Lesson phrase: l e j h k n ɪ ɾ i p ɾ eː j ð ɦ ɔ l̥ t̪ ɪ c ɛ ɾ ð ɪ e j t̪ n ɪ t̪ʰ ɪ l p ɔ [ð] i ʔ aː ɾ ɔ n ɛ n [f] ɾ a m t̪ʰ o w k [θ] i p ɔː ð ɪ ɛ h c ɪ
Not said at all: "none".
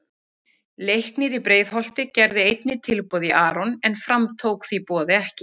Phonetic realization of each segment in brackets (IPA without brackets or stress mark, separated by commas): ð, f, θ